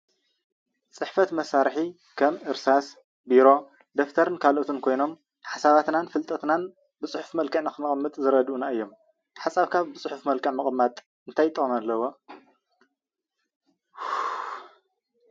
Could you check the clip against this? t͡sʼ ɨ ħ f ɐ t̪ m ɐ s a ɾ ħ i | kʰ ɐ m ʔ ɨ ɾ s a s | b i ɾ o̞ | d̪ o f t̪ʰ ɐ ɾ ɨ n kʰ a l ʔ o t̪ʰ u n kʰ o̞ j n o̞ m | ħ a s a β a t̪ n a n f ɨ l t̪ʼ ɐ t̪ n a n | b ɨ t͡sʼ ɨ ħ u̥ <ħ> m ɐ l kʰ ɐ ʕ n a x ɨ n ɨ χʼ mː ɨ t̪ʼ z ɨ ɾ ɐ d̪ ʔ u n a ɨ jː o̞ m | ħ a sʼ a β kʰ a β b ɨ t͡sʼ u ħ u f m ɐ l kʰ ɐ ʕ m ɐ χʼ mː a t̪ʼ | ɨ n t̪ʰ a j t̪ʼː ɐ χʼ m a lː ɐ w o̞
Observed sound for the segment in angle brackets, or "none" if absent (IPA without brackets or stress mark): f